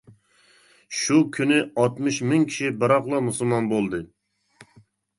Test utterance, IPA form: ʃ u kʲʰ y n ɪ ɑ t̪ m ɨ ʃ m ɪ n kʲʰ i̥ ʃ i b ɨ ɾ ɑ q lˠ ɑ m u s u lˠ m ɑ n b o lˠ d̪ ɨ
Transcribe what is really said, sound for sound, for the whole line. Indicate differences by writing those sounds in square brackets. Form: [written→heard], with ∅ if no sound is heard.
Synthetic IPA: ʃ u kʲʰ y n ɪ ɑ t̪ m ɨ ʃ m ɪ [n→ŋ] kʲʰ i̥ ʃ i b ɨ ɾ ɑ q lˠ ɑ m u s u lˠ m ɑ n b o lˠ d̪ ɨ